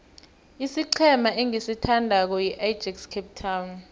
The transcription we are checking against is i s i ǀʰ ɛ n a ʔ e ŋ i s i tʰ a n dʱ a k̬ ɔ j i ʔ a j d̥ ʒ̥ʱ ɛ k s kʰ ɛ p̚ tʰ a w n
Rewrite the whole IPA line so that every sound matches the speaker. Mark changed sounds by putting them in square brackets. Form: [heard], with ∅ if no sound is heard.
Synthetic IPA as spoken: i s i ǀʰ ɛ [m] a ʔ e ŋ i s i tʰ a n dʱ a k̬ ɔ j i ʔ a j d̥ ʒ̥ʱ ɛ k s kʰ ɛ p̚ tʰ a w n